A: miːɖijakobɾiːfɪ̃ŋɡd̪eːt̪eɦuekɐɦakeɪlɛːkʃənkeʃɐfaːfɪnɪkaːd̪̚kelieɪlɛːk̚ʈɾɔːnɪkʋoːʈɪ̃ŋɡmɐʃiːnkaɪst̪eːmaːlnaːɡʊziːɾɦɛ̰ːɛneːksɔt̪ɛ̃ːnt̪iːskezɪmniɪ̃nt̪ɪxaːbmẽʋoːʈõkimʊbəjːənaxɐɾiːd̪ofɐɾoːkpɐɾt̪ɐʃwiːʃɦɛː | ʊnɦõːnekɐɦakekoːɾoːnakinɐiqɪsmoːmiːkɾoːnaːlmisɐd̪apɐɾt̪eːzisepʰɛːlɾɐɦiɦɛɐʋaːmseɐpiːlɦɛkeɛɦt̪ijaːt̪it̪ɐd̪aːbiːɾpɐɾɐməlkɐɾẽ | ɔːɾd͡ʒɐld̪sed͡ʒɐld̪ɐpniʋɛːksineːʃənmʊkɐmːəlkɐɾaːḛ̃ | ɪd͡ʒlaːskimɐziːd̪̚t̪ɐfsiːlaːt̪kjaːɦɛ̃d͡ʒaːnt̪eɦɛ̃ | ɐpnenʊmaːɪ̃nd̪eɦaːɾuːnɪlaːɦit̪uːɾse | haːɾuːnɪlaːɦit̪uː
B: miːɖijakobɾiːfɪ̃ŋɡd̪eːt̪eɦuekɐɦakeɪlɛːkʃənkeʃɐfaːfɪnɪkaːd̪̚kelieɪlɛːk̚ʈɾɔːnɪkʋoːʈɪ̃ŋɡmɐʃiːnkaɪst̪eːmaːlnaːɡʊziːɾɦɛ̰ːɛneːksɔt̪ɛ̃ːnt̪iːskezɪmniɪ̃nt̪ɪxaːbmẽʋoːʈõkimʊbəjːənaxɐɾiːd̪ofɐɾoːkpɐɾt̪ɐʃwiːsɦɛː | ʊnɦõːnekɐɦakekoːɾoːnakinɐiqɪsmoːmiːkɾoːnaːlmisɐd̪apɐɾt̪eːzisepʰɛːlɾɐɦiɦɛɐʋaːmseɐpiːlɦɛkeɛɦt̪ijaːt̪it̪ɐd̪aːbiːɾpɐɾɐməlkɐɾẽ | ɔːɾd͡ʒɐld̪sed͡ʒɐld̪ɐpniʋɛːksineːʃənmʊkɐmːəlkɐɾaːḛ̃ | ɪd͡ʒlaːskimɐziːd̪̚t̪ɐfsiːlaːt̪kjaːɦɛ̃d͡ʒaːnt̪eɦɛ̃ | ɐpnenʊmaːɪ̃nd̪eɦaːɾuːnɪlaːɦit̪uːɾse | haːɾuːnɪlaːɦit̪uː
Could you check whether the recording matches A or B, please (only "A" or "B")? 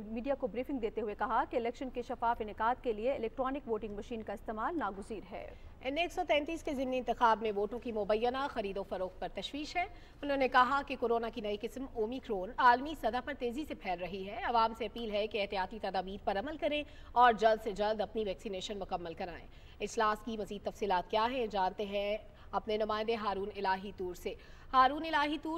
A